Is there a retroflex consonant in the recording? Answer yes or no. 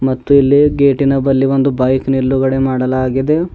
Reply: yes